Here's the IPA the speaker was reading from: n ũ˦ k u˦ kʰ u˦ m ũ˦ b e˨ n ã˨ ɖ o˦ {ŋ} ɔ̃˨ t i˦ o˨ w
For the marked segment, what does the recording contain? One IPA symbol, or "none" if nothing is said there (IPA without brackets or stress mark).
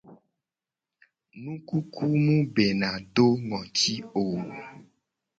ŋ